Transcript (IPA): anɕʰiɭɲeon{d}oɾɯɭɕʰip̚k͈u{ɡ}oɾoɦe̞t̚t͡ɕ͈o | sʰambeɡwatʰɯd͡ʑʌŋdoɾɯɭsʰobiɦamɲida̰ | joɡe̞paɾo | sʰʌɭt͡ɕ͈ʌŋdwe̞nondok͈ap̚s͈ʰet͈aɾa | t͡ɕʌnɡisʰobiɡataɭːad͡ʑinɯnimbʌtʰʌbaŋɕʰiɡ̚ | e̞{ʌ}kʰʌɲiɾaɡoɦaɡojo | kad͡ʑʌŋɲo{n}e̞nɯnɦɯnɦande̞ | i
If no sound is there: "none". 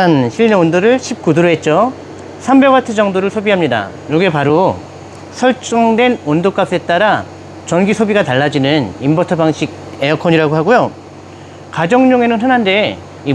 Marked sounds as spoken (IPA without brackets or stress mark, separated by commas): d, d, ʌ, ŋ